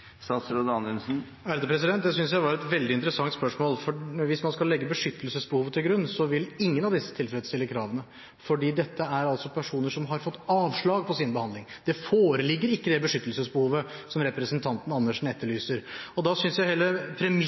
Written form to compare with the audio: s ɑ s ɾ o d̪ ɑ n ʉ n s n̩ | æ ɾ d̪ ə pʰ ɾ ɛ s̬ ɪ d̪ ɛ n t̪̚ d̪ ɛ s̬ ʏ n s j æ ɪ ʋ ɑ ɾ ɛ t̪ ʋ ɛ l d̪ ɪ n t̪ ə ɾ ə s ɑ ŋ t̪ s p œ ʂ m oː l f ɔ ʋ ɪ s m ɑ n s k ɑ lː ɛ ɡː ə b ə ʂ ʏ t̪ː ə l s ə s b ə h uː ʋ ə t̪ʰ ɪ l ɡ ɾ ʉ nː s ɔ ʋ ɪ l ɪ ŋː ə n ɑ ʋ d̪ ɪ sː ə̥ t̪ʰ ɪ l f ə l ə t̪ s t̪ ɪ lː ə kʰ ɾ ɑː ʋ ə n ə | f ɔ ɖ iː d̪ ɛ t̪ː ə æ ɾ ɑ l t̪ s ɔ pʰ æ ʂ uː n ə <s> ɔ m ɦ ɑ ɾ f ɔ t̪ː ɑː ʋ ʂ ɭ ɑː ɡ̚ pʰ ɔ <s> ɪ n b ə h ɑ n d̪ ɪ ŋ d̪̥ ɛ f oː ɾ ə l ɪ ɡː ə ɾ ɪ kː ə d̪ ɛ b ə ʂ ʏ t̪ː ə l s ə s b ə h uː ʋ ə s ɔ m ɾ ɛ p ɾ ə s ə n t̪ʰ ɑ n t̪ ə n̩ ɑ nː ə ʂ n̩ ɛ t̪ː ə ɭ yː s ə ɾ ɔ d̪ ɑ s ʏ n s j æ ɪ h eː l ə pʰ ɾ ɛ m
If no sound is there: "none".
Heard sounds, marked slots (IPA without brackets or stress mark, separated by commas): ʂ, s